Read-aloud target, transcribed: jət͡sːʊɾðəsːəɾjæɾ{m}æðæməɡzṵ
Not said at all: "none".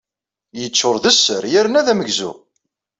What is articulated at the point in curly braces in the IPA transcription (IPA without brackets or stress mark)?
n